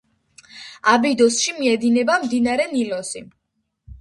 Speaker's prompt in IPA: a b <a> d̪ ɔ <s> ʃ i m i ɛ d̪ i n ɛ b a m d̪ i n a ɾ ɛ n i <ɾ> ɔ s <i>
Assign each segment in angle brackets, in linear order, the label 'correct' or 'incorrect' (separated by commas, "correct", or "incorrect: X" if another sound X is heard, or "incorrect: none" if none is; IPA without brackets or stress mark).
incorrect: i, correct, incorrect: l, correct